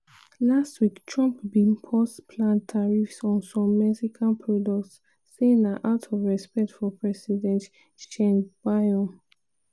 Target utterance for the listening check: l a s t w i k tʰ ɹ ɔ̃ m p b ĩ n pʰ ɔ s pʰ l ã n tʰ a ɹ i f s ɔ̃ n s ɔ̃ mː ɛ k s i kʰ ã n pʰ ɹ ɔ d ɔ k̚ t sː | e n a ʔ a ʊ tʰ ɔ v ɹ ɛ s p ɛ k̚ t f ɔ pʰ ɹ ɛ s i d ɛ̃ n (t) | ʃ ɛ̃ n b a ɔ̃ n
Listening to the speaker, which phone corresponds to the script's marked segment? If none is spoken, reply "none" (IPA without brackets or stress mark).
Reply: t